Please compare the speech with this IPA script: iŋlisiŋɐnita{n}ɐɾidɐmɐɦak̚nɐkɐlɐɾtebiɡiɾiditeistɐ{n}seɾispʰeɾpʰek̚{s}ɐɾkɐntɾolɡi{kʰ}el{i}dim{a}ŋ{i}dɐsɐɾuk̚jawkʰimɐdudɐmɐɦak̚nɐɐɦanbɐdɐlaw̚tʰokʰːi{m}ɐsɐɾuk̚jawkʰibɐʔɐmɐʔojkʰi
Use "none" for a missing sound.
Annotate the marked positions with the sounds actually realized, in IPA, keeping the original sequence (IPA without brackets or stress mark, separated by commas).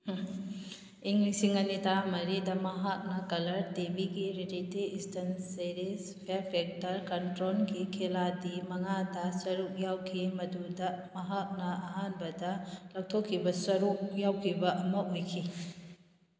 m, n, t, kʰ, a, ɐ, a, b